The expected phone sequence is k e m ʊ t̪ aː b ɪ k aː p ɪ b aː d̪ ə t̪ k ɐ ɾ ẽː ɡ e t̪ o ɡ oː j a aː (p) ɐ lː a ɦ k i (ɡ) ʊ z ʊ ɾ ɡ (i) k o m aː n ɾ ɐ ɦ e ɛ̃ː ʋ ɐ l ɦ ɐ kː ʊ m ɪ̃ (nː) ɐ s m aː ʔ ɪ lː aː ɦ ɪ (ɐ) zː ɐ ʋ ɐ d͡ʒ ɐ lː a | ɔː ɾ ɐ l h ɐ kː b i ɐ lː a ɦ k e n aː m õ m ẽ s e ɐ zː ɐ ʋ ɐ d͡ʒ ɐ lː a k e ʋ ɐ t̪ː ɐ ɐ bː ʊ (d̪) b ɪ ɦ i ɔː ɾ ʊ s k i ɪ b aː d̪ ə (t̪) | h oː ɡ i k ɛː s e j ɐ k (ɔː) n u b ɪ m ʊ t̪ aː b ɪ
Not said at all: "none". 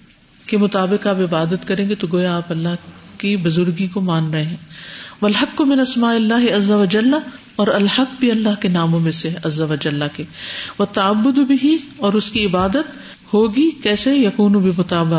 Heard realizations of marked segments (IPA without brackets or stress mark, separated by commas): p, b, i, n, ɐ, d̪, t̪, uː